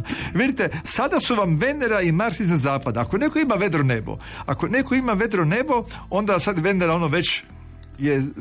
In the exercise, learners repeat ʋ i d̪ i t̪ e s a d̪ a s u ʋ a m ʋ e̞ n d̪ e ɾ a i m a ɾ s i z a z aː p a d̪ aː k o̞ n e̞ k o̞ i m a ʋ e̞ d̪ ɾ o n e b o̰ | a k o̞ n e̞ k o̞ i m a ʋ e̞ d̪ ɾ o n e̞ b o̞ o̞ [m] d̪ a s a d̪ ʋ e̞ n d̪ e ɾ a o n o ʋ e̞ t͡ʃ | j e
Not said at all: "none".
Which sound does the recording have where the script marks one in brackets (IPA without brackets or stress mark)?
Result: n